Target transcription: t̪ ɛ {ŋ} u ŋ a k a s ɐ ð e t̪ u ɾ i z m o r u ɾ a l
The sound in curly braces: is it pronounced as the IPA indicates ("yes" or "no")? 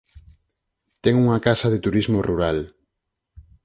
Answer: yes